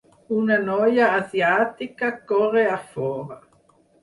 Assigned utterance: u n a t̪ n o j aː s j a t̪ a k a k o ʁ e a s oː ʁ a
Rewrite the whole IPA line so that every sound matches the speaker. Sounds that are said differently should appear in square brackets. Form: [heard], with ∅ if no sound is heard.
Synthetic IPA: u n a [∅] n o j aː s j a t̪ [i] k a k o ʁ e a [f] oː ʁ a